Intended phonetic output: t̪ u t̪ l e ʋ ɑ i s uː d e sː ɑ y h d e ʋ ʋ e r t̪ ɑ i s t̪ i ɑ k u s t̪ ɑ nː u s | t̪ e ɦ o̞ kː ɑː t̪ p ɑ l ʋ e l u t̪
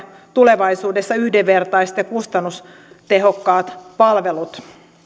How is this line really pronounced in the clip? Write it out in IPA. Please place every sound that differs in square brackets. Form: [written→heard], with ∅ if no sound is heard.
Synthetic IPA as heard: t̪ u [t̪→∅] l e ʋ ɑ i s uː d e sː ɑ y h d e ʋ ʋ e r t̪ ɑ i s t̪ [i→j] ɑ k u s t̪ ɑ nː u s | t̪ e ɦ o̞ kː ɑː t̪ p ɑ l ʋ e l u t̪